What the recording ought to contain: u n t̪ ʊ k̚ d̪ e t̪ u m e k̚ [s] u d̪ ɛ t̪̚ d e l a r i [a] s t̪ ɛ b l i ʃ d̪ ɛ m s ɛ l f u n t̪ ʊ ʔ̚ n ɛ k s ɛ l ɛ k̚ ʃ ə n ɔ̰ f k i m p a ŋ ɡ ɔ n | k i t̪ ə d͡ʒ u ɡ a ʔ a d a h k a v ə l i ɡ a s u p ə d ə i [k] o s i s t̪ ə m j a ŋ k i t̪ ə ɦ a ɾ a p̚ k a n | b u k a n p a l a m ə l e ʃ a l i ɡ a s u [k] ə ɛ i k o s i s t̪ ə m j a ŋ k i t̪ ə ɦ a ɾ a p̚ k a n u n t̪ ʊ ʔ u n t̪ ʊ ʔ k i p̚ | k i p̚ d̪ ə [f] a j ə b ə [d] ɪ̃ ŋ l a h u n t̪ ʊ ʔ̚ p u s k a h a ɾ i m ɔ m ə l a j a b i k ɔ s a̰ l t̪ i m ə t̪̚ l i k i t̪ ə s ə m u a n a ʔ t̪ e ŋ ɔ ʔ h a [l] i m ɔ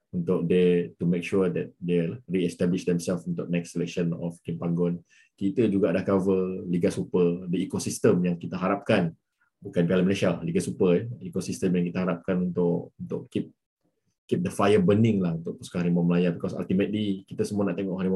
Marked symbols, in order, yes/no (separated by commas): no, no, yes, no, yes, no, no